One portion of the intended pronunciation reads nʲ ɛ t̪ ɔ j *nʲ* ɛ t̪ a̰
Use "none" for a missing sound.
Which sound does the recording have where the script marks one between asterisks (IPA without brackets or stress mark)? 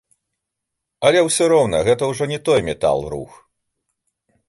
mʲ